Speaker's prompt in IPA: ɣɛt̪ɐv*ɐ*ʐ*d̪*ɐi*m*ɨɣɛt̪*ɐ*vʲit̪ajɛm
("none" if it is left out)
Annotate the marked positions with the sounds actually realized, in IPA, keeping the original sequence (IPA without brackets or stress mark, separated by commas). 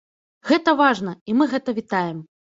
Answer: a, n̪, m, ɐ